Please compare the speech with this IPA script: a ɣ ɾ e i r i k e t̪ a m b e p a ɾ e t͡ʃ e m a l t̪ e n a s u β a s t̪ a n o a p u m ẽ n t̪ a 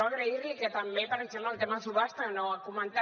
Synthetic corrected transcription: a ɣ ɾ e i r i k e t̪ a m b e p a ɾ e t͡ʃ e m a l t̪ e m a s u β a s t̪ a n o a k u m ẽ n t̪ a